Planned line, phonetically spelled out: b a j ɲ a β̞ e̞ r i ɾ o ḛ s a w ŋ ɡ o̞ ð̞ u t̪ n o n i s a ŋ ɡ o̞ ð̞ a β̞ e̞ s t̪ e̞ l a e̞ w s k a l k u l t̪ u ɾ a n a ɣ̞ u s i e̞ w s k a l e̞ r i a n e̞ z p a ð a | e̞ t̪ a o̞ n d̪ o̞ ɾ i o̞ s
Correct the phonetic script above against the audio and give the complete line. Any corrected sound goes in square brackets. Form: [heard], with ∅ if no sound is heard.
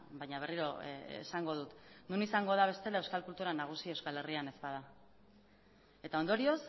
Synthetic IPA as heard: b a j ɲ a β̞ e̞ r i ɾ o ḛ s a [∅] ŋ ɡ o̞ ð̞ u t̪ n [u] n i s a ŋ ɡ o̞ ð̞ a β̞ e̞ s t̪ e̞ l a e̞ w s k a l k u l t̪ u ɾ a n a ɣ̞ u s i e̞ w s k a l e̞ r i a n e̞ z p a ð a | e̞ t̪ a o̞ n d̪ o̞ ɾ i o̞ s